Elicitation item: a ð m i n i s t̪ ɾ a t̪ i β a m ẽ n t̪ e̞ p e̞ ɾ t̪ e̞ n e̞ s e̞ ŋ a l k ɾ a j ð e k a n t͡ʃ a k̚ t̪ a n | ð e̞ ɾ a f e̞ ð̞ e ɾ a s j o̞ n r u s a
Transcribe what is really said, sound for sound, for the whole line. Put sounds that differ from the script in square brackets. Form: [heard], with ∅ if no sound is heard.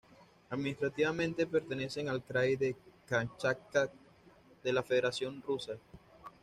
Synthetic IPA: a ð m i n i s t̪ ɾ a t̪ i β a m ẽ n t̪ e̞ p e̞ ɾ t̪ e̞ n e̞ s e̞ ŋ a l k ɾ a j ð e k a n t͡ʃ a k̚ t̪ a [∅] | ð e̞ [l] a f e̞ ð̞ e ɾ a s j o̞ n r u s a